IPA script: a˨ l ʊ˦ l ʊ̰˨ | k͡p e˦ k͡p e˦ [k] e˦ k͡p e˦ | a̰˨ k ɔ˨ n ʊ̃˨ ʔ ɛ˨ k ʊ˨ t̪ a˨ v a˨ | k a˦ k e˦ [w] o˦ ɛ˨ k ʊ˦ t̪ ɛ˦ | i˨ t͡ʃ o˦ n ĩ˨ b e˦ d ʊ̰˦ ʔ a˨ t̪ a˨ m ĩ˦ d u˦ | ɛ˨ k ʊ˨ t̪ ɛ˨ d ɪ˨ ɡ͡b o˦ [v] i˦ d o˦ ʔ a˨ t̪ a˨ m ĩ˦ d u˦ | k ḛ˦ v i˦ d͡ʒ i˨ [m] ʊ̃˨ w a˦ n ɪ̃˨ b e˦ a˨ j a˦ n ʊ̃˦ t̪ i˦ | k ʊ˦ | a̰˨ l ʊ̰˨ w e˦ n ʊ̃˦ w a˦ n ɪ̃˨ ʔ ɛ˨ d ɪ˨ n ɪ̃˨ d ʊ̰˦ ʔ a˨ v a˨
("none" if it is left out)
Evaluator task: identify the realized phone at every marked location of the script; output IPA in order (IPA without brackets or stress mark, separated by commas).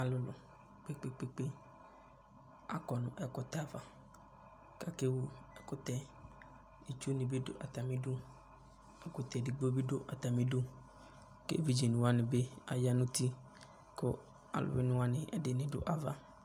k͡p, w, b, n